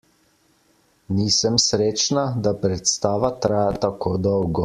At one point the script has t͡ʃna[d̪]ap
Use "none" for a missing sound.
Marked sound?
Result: d̪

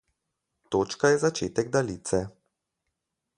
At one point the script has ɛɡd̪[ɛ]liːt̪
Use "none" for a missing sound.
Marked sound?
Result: a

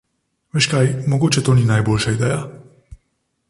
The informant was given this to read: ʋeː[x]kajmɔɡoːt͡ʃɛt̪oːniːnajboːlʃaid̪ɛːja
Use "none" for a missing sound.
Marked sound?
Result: ʃ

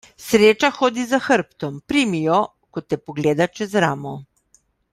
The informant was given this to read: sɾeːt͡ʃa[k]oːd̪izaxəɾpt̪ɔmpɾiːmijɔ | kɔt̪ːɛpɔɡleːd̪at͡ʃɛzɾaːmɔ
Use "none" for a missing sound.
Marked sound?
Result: x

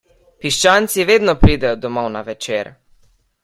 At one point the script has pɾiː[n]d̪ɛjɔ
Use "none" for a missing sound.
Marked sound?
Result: none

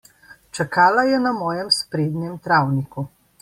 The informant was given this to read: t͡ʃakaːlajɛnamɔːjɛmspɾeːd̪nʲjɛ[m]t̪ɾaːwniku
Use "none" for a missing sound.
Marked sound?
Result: m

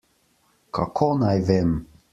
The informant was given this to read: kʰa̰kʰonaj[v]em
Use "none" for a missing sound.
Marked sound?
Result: v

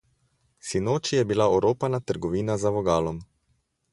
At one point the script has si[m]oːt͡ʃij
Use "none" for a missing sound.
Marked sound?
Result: n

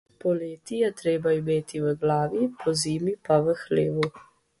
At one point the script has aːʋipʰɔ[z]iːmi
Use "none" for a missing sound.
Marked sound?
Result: z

